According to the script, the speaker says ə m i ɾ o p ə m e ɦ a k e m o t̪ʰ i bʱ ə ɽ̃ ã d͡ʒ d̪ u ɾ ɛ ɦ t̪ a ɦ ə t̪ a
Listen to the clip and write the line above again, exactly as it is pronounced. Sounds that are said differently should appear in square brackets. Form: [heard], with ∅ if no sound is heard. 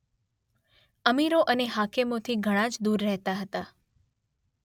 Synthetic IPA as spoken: ə m i ɾ o [ʔ] ə [n] e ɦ a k e m o t̪ʰ i [ɡʱ] ə ɽ̃ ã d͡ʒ d̪ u [ɾː] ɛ ɦ t̪ a ɦ ə t̪ a

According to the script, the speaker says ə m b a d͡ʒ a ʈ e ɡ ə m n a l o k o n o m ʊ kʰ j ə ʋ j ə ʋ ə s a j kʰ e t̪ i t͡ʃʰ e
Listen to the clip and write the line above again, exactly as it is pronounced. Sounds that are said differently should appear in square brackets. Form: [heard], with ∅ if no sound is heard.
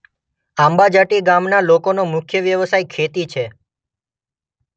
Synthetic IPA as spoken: [a] m b a d͡ʒ a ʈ [i] ɡ [a] m n a l o k o n o m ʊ kʰ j ə ʋ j ə ʋ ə s a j kʰ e t̪ i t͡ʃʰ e

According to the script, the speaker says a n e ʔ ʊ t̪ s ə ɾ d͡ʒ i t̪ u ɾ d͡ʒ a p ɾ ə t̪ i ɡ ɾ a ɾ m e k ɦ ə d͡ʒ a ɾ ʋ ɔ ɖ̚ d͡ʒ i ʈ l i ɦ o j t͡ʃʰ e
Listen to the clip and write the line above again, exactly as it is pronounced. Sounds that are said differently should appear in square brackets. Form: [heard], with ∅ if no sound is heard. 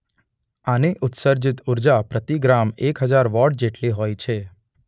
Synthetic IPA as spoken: a n e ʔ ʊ t̪ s ə ɾ d͡ʒ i t̪ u ɾ d͡ʒ a p ɾ ə t̪ i ɡ ɾ a [∅] m e k ɦ ə d͡ʒ a ɾ ʋ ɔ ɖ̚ d͡ʒ [e] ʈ l i ɦ o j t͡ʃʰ e

